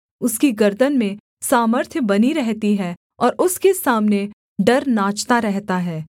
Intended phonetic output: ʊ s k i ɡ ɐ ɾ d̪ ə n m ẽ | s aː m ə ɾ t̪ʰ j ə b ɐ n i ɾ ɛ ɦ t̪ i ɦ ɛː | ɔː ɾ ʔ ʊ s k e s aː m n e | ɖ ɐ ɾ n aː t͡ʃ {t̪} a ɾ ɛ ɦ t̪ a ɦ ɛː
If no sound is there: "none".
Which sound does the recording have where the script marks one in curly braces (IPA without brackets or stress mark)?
t̪